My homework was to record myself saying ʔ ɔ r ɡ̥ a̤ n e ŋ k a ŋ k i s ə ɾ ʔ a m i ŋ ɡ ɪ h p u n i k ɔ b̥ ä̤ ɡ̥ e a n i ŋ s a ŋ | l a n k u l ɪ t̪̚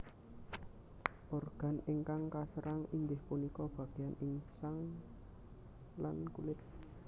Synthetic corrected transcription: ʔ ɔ r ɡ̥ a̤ n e ŋ k a ŋ k a s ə ɾ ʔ a ŋ i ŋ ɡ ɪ h p u n i k ɔ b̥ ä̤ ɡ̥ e a n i ŋ s a ŋ | l a n k u l ɪ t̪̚